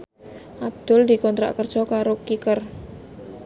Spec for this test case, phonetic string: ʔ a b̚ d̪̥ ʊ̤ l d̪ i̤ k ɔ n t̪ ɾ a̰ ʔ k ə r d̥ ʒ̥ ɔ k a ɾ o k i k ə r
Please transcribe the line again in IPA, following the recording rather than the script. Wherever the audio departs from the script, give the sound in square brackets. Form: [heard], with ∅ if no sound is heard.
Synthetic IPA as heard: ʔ a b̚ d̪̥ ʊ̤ l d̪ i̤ k ɔ n t̪ ɾ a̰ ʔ k ə r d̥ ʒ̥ ɔ k a ɾ o k i k ə r